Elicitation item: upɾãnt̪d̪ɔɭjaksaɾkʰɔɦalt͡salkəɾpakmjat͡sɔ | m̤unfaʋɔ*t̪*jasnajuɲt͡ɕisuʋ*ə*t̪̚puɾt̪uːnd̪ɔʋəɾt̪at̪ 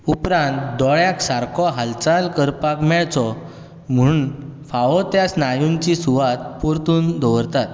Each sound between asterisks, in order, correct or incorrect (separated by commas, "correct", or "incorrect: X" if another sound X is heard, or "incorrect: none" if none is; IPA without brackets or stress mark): correct, incorrect: a